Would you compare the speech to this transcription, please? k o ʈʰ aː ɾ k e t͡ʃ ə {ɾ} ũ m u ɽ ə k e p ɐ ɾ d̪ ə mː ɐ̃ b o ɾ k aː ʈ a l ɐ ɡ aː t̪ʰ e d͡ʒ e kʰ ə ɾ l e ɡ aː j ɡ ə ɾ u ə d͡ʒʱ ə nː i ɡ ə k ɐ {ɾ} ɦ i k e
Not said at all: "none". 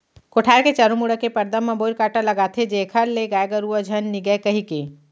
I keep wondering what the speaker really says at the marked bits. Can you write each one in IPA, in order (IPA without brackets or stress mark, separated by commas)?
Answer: ɾ, none